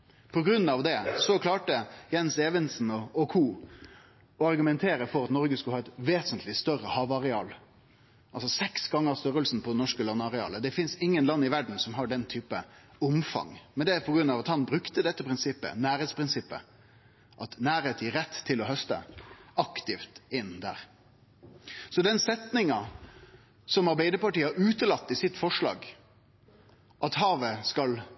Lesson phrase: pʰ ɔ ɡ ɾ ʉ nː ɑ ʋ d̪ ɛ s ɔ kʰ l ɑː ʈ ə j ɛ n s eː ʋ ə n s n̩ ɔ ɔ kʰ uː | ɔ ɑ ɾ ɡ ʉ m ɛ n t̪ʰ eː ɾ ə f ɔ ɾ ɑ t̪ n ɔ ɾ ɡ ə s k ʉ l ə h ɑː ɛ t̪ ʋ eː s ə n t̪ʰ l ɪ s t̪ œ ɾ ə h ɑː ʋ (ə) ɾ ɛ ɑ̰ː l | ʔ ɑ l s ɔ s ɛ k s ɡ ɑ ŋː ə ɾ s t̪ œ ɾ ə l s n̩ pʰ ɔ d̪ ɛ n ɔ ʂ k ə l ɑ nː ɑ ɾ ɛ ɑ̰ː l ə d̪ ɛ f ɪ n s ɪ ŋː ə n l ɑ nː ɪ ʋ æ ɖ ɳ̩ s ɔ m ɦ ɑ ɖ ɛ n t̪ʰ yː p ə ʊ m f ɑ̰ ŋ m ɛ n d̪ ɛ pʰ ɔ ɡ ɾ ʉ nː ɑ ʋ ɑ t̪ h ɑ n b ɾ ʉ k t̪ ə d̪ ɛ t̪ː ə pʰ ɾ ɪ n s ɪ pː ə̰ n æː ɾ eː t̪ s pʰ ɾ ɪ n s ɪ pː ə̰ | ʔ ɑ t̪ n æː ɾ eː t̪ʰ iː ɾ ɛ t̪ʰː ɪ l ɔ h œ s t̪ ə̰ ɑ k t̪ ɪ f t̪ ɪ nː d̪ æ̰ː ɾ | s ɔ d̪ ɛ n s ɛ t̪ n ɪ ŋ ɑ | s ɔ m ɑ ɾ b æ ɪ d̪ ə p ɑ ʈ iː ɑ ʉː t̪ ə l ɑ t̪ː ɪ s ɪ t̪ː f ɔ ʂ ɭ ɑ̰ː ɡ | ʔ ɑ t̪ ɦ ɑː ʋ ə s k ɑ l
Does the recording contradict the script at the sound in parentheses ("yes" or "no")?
yes